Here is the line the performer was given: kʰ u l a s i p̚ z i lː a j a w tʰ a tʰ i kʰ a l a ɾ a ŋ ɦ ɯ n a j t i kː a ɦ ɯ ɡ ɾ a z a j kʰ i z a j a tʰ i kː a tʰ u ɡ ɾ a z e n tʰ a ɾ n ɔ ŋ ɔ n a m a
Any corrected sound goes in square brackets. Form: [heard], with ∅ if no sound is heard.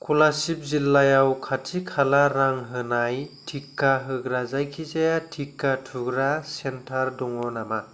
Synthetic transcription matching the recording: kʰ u l a s i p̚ z i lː a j a w [kʰ] a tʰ i kʰ a l a ɾ a ŋ ɦ ɯ n a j [tʰ] i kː a ɦ ɯ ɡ ɾ a z a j kʰ i z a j a tʰ i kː a tʰ u ɡ ɾ a [s] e n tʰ a ɾ [d] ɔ ŋ ɔ n a m a

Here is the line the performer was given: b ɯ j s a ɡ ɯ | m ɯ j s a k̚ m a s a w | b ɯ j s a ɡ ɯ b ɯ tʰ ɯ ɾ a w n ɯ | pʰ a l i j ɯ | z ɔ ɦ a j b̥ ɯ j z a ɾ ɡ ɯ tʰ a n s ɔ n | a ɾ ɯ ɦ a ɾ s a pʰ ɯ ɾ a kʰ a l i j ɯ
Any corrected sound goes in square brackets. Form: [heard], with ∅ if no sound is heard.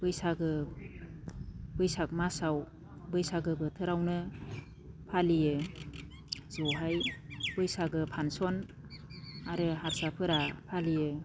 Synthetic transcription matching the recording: b ɯ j s a ɡ ɯ | [b] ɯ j s a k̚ m a s a w | b ɯ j s a ɡ ɯ b ɯ tʰ ɯ ɾ a w n ɯ | pʰ a l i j ɯ | z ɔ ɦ a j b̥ ɯ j [s] a [∅] ɡ ɯ [pʰ] a n s ɔ n | a ɾ ɯ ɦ a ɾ s a pʰ ɯ ɾ a [pʰ] a l i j ɯ

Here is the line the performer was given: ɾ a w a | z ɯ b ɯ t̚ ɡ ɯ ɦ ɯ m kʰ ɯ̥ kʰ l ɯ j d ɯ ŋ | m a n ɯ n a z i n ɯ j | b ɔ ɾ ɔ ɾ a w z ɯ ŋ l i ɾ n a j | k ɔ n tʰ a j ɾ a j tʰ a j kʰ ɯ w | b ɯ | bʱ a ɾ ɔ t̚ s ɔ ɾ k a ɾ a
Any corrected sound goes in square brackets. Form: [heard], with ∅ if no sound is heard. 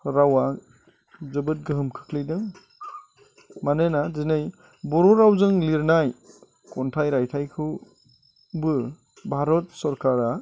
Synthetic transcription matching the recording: ɾ a w a | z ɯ b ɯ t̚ ɡ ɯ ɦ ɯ m kʰ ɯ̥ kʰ l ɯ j d ɯ ŋ | m a n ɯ n a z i n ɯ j | b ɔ ɾ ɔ ɾ a w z ɯ ŋ l i ɾ n a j | k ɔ n tʰ a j ɾ a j tʰ a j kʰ ɯ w | b ɯ | bʱ a ɾ ɔ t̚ s ɔ ɾ k a ɾ a

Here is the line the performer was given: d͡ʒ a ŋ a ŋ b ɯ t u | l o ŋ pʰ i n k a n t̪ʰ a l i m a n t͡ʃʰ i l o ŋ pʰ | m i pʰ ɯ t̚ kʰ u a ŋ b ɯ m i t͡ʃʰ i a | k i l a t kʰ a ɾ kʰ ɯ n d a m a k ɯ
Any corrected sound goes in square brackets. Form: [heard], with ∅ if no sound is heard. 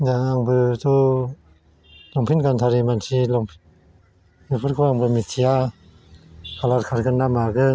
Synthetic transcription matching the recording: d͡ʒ a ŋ a ŋ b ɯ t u | l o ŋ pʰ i n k a n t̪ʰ a [ɾ] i m a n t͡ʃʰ i l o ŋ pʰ | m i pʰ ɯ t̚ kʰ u a ŋ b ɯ m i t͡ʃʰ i a | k [a] l a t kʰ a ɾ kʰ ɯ n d a m a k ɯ

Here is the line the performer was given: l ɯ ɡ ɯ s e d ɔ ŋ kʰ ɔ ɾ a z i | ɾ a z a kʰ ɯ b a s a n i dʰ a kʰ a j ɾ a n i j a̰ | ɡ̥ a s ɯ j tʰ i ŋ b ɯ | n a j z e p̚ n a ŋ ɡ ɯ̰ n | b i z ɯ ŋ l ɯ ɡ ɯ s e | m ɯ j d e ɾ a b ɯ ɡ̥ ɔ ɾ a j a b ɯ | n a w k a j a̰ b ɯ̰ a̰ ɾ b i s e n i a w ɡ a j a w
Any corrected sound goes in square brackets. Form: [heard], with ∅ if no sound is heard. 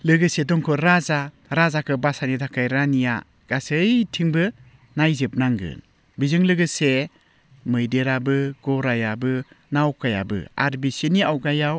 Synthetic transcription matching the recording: l ɯ ɡ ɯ s e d ɔ ŋ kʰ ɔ ɾ a z [a] | ɾ a z a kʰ ɯ b a s a n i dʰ a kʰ a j ɾ a n i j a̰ | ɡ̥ a s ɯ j tʰ i ŋ b ɯ | n a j z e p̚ n a ŋ ɡ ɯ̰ n | b i z ɯ ŋ l ɯ ɡ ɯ s e | m ɯ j d e ɾ a b ɯ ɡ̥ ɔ ɾ a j a b ɯ | n a w k a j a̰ b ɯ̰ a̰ ɾ b i s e n i a w ɡ a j a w

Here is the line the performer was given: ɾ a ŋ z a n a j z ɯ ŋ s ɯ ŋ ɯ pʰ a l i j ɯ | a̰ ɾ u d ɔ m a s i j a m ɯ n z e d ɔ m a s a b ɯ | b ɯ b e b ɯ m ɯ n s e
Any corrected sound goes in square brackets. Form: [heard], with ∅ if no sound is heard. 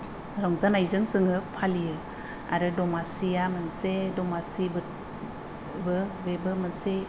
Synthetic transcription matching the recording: ɾ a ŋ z a n a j z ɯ ŋ s ɯ ŋ ɯ pʰ a l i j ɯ | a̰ ɾ [ɯ] d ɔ m a s i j a m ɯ n [s] e d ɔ m a s [i] b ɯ | b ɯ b e b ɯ m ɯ n s e

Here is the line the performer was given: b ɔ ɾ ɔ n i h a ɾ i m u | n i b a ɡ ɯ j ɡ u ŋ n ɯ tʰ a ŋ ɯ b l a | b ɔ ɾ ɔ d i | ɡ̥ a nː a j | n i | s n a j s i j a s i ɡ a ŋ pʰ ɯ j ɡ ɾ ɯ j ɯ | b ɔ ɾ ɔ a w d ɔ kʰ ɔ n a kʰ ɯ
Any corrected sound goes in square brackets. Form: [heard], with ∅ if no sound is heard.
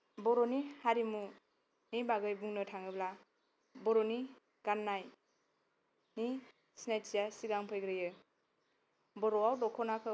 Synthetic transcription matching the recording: b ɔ ɾ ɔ n i h a ɾ i m u | n i b a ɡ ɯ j [b] u ŋ n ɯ tʰ a ŋ ɯ b l a | b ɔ ɾ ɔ [n] i | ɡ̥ a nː a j | n i | s n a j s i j a s i ɡ a ŋ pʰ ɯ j ɡ ɾ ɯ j ɯ | b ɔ ɾ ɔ a w d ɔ kʰ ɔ n a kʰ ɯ

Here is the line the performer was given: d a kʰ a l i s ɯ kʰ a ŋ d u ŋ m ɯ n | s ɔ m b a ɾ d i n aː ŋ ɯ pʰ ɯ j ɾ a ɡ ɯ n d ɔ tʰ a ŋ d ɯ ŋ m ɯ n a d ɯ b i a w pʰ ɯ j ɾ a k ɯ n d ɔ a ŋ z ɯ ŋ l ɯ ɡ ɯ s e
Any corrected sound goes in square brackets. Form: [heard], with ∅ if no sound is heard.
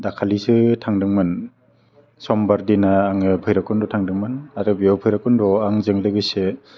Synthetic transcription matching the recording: d a kʰ a l i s ɯ [tʰ] a ŋ d [ɯ] ŋ m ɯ n | s ɔ m b a ɾ d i n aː ŋ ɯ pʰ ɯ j ɾ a [k] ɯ n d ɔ tʰ a ŋ d ɯ ŋ m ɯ n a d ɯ b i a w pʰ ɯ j ɾ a k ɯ n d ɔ a ŋ z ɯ ŋ l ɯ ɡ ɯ s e

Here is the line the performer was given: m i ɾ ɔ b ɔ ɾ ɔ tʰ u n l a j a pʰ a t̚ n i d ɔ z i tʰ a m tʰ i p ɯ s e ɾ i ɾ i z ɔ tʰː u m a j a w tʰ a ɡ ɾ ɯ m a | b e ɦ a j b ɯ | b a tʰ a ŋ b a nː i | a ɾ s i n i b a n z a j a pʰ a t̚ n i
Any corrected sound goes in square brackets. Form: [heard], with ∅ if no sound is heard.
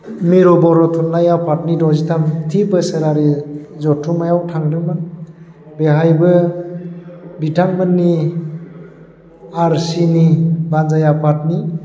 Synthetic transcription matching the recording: m i ɾ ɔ b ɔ ɾ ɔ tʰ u n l a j a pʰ a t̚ n i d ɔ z i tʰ a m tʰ i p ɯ s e ɾ [a] ɾ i z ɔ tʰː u m a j a w tʰ a [ŋ] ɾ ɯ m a | b e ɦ a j b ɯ | b [i] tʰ a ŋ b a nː i | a ɾ s i n i b a n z a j a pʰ a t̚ n i

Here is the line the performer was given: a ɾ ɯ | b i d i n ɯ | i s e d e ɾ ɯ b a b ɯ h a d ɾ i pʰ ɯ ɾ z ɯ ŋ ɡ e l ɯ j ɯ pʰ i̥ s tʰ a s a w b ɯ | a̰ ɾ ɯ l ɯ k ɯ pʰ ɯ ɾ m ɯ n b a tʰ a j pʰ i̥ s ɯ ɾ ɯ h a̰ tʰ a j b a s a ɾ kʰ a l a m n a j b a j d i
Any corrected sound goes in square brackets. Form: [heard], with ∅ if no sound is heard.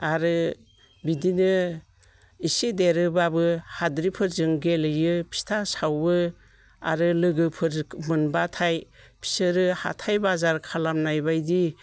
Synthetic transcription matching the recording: a ɾ ɯ | b i d i n ɯ | i s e d e ɾ ɯ b a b ɯ h a d ɾ i pʰ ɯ ɾ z ɯ ŋ ɡ e l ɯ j ɯ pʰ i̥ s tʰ a s a w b ɯ | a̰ ɾ ɯ l ɯ [ɡ] ɯ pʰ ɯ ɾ m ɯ n b a tʰ a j pʰ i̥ s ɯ ɾ ɯ h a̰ tʰ a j b a [z] a ɾ kʰ a l a m n a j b a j d i

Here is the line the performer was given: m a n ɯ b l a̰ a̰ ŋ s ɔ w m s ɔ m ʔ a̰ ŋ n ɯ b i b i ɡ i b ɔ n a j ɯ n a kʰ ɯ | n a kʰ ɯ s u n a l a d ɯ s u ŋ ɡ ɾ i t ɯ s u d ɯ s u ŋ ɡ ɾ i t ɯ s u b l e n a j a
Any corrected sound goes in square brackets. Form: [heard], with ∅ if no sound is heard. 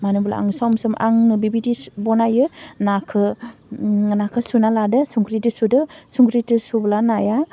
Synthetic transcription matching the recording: m a n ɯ b l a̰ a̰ ŋ s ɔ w m s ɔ m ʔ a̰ ŋ n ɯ b i b i [d] i b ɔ n a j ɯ n a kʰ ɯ | n a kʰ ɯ s u n a l a d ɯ s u ŋ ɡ ɾ i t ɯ s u d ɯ s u ŋ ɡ ɾ i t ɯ s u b l [a] n a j a

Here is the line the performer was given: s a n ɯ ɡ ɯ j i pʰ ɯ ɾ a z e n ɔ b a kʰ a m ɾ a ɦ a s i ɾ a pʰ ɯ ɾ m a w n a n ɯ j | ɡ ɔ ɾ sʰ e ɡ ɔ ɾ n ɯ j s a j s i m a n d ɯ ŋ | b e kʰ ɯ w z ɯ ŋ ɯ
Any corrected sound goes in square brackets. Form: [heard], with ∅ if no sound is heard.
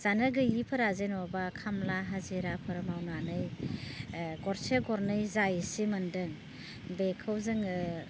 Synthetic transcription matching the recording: [z] a n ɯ ɡ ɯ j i pʰ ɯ ɾ a z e n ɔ b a kʰ a m [l] a ɦ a [z] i ɾ a pʰ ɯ ɾ m a w n a n ɯ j | ɡ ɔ ɾ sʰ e ɡ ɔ ɾ n ɯ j [z] a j s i m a n d ɯ ŋ | b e kʰ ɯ w z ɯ ŋ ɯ

